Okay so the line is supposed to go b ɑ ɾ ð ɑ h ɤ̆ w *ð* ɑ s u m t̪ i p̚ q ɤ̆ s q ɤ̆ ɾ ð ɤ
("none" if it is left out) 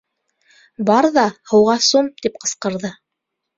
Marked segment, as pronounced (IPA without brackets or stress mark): ʁ